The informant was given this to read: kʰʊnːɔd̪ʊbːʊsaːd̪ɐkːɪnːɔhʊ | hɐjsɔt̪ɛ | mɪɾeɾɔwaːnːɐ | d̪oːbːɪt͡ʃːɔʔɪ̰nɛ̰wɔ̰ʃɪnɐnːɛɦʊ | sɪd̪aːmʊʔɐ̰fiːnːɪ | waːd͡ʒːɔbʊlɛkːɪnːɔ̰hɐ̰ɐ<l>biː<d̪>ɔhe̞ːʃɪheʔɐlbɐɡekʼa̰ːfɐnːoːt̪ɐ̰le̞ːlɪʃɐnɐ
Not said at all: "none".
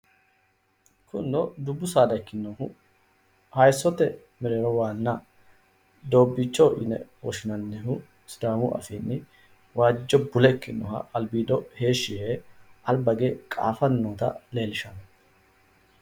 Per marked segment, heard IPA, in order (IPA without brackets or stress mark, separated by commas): l, d̪